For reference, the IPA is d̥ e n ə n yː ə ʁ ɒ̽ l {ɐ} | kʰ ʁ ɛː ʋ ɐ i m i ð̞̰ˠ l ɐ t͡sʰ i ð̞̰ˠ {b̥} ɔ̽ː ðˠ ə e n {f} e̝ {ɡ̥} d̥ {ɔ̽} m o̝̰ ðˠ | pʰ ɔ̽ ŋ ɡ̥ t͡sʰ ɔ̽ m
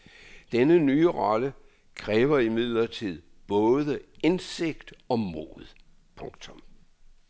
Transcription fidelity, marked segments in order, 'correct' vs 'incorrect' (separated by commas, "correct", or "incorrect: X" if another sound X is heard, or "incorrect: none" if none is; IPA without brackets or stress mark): incorrect: ə, correct, incorrect: s, correct, incorrect: ɒ̽